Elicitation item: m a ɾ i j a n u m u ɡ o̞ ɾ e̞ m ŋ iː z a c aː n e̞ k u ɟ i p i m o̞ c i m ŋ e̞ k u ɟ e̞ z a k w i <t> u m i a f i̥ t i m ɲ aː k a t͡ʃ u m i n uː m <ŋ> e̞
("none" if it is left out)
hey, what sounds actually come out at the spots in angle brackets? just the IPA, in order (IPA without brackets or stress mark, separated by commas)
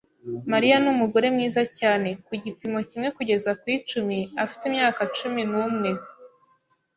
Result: t͡ʃ, ŋ